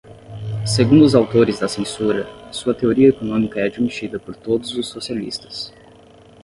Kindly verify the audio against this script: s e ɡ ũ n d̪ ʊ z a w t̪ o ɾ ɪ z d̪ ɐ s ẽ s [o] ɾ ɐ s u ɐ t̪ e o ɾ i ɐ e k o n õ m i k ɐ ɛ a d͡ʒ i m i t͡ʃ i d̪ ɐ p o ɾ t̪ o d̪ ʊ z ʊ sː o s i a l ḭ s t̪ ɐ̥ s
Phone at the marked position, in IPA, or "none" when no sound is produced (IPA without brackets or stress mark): u